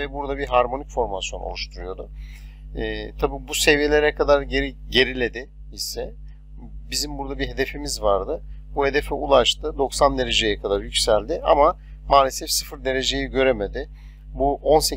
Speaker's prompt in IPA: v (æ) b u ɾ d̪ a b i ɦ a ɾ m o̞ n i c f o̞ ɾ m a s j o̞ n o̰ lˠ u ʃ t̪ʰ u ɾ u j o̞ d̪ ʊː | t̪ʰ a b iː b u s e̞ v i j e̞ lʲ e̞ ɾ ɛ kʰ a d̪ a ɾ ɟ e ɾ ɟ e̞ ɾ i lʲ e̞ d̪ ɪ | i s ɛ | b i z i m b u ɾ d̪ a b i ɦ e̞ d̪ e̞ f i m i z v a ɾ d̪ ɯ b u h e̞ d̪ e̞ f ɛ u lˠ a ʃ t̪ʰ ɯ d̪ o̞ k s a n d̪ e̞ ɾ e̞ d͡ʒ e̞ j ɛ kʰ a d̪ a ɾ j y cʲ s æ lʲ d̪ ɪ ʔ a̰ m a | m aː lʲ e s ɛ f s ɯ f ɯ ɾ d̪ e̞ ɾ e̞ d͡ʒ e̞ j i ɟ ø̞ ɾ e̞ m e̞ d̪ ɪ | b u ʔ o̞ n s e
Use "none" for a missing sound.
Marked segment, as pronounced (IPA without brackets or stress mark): ɛ